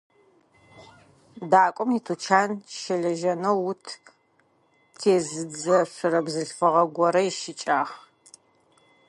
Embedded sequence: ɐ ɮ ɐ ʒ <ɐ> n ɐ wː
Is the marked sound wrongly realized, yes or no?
no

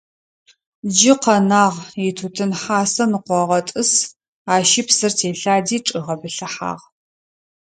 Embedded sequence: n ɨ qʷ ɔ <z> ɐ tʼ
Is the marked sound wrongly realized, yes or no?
yes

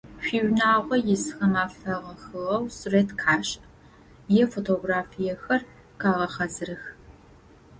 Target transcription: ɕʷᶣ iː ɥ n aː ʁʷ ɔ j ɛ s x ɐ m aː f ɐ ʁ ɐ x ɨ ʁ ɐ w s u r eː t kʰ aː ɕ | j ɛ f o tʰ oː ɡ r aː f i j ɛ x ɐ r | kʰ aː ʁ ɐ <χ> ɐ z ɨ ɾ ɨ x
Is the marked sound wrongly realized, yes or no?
no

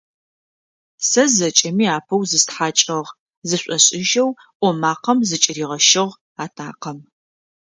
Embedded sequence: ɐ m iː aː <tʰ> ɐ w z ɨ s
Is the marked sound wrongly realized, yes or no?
yes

